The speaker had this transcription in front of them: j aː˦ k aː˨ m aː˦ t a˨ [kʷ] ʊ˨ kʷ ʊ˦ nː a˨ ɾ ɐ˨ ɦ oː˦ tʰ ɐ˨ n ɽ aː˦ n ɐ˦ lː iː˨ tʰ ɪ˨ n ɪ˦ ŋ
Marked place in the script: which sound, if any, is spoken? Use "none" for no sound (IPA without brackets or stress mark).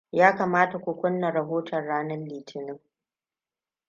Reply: kʷ